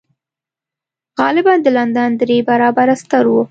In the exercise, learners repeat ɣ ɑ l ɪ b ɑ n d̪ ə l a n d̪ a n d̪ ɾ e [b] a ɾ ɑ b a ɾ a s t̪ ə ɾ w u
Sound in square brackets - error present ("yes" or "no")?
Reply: no